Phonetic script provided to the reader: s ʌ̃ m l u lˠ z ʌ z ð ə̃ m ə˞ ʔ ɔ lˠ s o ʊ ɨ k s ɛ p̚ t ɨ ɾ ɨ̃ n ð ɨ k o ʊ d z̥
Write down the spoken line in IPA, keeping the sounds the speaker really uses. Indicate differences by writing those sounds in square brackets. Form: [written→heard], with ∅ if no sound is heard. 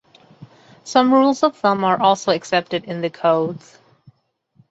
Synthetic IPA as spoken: s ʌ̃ m [l→ɹ] u lˠ z ʌ [z→v] ð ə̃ m ə˞ ʔ ɔ lˠ s o ʊ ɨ k s ɛ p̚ t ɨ ɾ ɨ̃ n ð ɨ [k→kʰ] o ʊ d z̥